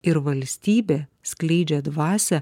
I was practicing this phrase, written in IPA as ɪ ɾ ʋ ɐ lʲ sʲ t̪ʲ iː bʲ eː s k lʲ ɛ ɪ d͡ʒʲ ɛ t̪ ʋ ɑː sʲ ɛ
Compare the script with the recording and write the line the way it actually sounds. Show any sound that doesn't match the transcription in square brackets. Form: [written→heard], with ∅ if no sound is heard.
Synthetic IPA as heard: ɪ ɾ ʋ ɐ lʲ sʲ t̪ʲ iː bʲ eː s k lʲ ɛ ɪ d͡ʒʲ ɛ [t̪→d̪] ʋ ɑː sʲ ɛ